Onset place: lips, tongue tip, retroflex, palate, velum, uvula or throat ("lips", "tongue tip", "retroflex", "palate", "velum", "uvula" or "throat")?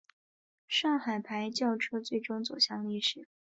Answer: retroflex